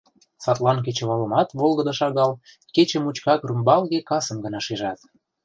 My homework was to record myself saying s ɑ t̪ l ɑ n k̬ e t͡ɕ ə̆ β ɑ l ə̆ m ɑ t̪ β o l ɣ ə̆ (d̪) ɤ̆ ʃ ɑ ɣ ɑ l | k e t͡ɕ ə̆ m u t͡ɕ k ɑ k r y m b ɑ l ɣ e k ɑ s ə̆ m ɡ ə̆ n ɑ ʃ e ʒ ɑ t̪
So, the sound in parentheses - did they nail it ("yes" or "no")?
yes